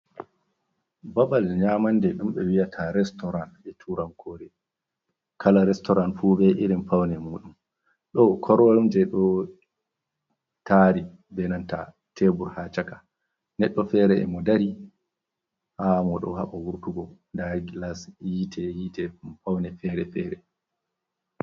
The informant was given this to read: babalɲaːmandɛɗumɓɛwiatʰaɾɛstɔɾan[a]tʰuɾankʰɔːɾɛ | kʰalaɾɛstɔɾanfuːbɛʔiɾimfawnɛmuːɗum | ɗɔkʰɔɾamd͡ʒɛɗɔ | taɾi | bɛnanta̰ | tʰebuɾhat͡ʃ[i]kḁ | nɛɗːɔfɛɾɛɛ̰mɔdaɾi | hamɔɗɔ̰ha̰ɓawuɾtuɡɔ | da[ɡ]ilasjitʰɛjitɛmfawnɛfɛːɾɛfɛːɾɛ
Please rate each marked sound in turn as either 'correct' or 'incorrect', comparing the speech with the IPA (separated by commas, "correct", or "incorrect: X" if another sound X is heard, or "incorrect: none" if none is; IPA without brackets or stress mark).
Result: incorrect: ɛ, incorrect: a, correct